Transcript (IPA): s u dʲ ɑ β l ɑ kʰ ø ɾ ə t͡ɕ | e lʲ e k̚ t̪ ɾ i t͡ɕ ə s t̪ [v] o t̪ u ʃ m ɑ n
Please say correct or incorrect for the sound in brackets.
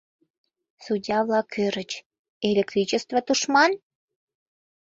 correct